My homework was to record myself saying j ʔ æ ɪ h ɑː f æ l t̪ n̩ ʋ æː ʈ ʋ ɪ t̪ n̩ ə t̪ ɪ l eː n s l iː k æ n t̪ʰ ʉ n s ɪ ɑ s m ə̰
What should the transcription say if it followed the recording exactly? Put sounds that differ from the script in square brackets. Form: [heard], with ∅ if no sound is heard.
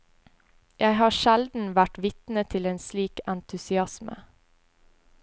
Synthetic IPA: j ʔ æ ɪ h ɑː [ʃ] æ l [d̪] n̩ ʋ [æ] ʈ ʋ ɪ t̪ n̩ ə [t̪ʰ] ɪ l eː n s l iː k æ n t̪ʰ ʉ [∅] s ɪ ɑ s m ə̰